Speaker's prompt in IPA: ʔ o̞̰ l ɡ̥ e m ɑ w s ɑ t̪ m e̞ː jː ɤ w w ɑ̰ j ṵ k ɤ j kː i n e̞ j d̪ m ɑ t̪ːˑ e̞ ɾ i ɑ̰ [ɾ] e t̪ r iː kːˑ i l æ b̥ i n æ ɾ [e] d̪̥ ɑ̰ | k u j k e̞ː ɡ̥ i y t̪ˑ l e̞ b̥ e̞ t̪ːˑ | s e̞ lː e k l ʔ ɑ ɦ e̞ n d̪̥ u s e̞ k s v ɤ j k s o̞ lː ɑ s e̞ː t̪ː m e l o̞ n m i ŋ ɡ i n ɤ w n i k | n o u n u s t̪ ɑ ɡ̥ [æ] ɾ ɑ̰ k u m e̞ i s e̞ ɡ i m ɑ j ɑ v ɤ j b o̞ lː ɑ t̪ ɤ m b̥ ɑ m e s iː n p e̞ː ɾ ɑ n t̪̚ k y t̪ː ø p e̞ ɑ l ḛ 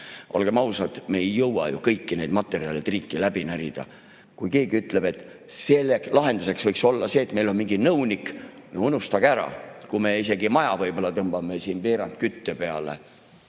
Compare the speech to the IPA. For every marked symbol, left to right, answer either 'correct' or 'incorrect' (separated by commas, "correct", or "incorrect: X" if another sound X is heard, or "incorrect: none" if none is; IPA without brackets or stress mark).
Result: incorrect: l, incorrect: i, correct